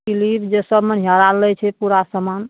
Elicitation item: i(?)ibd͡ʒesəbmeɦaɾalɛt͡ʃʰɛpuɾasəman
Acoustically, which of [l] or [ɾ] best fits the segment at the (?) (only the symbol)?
l